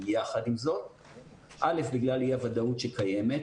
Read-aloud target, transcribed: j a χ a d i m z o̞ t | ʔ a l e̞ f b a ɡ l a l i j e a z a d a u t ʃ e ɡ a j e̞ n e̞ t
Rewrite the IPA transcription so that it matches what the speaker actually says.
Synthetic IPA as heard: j a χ a d i m z o̞ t | ʔ a l e̞ f b i ɡ l a l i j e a v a d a u t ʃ e k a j e̞ m e̞ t